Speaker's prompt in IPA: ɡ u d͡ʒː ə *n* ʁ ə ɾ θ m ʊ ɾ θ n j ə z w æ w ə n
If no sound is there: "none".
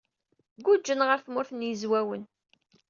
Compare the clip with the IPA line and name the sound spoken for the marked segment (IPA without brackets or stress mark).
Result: n